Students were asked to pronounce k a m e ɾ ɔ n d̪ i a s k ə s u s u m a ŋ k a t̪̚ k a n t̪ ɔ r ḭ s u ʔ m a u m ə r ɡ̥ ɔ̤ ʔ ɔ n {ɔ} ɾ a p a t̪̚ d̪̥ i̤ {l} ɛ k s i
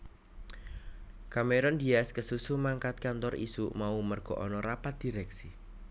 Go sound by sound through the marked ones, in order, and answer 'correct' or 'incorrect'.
correct, incorrect: ɾ

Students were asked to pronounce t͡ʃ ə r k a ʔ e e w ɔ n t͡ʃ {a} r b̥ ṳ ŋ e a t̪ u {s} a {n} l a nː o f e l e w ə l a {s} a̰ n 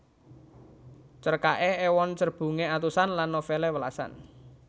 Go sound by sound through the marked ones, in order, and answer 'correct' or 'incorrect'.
incorrect: ə, correct, correct, correct

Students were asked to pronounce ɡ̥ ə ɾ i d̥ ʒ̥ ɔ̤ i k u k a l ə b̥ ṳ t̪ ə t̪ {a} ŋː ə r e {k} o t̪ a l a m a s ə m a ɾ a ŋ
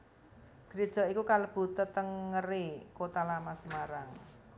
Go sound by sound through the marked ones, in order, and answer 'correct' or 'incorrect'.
incorrect: ə, correct

